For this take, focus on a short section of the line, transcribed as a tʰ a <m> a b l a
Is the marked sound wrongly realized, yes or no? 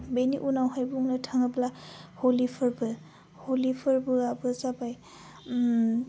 yes